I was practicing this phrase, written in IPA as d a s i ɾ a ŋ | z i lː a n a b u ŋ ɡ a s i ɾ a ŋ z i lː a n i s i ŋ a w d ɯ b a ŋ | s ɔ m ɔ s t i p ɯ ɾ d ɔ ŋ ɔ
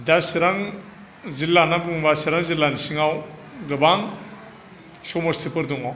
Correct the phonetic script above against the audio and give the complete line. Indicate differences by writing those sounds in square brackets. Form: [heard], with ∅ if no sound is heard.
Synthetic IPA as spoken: d a s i ɾ a ŋ | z i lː a n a b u ŋ [b] a s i ɾ a ŋ z i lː a n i s i ŋ a w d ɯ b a ŋ | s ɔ m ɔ s t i p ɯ ɾ d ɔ ŋ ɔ